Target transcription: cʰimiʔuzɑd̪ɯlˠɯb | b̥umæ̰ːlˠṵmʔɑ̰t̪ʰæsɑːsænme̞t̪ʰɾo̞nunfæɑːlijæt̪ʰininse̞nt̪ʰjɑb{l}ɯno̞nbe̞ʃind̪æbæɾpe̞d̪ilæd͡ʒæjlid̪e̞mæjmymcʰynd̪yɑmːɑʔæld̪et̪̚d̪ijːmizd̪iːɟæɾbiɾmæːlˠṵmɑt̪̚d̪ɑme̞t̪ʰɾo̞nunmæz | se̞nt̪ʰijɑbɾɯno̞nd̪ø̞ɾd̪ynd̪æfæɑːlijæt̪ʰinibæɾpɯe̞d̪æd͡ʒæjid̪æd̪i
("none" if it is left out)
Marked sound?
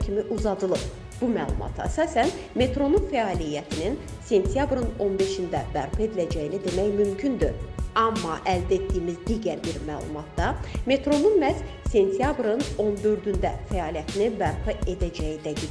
ɾ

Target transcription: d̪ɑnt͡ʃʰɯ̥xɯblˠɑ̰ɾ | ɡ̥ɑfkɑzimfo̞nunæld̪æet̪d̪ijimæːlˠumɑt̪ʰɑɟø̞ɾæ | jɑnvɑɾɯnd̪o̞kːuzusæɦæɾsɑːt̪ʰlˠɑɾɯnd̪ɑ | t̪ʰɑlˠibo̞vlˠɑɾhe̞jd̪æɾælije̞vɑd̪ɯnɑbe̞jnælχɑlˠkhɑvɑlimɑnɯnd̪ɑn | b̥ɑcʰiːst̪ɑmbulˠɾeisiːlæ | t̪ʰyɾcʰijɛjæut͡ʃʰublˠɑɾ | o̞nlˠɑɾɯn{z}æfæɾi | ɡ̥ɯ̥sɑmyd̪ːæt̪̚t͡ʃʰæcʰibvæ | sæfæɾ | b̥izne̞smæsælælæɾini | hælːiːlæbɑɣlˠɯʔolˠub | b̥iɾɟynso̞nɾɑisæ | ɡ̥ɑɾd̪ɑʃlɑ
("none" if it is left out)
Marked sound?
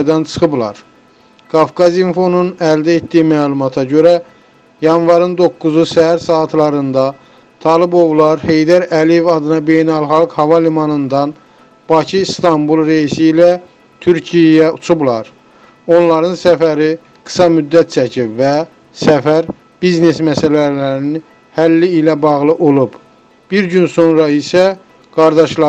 s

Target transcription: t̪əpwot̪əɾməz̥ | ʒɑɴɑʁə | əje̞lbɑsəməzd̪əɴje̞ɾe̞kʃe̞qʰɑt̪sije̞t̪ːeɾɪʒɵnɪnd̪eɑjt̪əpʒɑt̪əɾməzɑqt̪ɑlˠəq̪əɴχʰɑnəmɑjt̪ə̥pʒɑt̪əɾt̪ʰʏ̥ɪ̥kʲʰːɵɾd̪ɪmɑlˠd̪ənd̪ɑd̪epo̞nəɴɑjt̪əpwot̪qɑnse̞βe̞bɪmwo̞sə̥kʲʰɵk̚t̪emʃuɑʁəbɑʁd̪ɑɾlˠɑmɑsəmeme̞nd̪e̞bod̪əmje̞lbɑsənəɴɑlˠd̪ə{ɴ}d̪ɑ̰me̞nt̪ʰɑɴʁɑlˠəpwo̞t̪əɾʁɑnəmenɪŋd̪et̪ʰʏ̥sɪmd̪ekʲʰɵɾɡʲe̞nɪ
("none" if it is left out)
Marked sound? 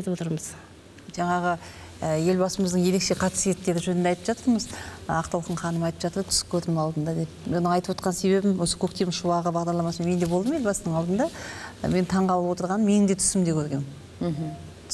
n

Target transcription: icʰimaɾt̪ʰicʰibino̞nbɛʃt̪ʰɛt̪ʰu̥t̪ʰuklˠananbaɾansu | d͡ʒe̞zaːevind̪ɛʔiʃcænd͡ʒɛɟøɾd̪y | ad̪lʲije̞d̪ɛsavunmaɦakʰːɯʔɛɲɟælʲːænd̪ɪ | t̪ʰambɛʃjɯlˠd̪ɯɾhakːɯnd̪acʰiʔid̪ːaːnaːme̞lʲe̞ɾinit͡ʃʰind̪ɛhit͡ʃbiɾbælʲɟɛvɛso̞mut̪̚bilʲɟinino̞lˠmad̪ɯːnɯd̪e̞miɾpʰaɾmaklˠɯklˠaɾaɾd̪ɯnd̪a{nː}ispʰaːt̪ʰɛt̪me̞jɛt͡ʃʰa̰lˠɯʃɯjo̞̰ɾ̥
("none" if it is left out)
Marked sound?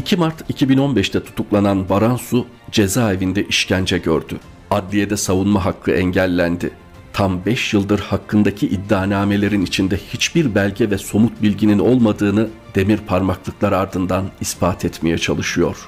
n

